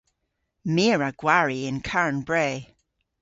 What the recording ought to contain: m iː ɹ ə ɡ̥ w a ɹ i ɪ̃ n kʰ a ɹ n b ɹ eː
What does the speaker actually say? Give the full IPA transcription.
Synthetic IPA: m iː ɹ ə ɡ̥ w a ɹ i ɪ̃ n kʰ a ɹ n b ɹ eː